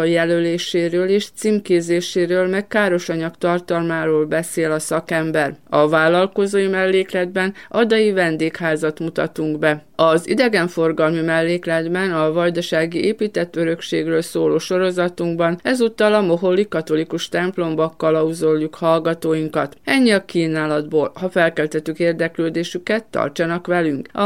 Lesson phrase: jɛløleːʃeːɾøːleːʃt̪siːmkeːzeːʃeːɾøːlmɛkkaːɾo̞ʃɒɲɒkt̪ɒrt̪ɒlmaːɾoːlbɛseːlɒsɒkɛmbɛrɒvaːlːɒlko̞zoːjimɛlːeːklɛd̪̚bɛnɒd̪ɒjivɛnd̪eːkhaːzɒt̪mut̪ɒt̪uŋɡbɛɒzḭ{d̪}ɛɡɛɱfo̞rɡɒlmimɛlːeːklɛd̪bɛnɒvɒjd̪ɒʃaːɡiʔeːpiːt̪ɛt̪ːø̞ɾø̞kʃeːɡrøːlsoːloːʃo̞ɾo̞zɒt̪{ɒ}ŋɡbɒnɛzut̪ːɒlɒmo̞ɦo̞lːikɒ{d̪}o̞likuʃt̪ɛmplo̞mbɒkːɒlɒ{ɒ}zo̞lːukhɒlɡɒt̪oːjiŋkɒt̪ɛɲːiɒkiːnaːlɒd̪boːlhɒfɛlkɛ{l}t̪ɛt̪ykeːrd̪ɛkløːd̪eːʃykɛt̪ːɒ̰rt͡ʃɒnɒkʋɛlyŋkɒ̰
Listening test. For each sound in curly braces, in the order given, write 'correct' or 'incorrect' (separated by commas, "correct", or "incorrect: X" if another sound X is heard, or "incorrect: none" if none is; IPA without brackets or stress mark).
correct, incorrect: u, incorrect: t̪, incorrect: u, correct